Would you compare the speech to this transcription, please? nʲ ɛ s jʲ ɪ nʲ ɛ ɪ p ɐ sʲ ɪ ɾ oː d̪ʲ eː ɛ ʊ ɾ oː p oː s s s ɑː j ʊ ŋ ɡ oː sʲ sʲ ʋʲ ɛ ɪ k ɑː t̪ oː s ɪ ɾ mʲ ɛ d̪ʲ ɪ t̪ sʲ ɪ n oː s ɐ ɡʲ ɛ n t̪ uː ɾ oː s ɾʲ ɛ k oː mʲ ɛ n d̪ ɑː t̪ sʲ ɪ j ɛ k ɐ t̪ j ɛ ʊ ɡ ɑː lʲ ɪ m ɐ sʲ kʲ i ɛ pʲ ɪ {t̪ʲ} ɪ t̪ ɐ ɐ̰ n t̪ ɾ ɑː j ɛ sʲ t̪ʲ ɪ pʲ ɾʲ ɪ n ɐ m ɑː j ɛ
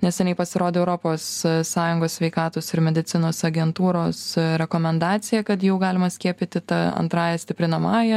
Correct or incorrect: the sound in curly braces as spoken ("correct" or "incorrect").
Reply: correct